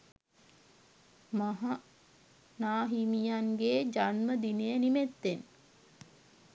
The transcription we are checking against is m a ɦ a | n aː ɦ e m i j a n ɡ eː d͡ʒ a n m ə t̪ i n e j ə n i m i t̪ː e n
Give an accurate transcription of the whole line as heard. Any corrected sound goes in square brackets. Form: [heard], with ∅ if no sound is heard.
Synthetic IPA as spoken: m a ɦ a | n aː ɦ [i] m i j a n ɡ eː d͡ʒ a n m ə [d̪] i n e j ə n i m [e] t̪ː e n